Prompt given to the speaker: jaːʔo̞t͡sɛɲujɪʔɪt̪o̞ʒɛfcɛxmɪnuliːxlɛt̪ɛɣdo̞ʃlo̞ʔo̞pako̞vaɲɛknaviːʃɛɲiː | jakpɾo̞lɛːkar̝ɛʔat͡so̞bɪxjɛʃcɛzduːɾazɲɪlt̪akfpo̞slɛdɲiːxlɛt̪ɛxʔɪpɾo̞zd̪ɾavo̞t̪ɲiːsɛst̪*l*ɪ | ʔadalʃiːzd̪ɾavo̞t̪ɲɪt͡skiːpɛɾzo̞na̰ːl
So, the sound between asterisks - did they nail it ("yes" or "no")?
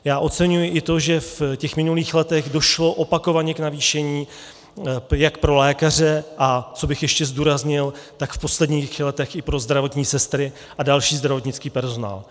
no